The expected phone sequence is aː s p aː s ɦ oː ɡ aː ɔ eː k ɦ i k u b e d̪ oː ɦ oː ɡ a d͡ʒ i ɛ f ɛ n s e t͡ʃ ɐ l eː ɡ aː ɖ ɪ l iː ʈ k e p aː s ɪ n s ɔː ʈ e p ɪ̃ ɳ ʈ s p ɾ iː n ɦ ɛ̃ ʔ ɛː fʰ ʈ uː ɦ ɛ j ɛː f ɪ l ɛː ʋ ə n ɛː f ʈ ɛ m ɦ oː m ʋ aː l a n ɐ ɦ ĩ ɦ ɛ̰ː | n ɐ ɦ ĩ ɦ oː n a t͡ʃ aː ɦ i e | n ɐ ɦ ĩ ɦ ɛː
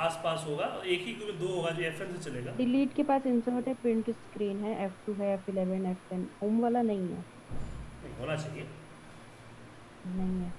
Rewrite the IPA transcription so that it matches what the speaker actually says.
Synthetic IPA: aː s p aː s ɦ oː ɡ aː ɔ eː k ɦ i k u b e d̪ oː ɦ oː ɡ a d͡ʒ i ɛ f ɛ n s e t͡ʃ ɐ l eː ɡ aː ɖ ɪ l iː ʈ k e p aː s ɪ n s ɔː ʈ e p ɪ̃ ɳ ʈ s k ɾ iː n ɦ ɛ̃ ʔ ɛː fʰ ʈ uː ɦ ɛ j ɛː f ɪ l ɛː ʋ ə n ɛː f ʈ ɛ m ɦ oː m ʋ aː l a n ɐ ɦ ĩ ɦ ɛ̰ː | n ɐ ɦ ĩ ɦ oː n a t͡ʃ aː ɦ i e | n ɐ ɦ ĩ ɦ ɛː